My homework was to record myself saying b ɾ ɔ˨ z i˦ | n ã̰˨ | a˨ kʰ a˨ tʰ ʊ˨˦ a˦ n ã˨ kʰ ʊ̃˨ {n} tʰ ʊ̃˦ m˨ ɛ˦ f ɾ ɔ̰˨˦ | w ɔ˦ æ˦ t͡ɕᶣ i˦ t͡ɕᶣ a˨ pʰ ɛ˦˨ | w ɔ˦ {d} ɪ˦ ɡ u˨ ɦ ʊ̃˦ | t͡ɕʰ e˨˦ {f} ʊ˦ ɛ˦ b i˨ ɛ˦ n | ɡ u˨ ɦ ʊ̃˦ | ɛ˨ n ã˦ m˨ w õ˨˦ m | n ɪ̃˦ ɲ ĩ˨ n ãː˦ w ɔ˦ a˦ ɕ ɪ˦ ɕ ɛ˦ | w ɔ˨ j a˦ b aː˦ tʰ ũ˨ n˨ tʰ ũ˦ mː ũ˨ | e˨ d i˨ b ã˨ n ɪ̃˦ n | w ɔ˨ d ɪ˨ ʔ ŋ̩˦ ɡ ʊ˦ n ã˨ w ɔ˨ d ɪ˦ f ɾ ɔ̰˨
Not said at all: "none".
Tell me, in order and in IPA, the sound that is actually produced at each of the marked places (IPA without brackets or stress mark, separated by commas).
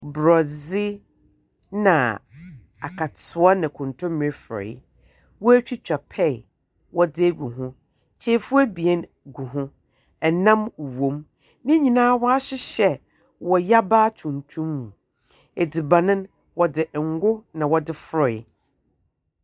n, d, f